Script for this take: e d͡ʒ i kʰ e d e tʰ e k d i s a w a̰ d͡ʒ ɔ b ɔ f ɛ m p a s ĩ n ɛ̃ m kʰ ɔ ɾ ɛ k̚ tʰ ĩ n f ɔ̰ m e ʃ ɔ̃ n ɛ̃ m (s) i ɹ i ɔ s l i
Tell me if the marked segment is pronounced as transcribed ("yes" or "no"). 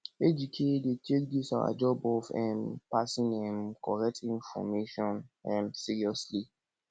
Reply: yes